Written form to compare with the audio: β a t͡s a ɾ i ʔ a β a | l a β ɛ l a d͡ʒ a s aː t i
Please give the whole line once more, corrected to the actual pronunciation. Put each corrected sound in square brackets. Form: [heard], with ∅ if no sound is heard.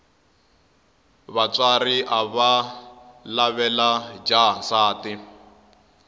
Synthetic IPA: β a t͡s a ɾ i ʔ a β a | l a β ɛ l a d͡ʒ a s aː t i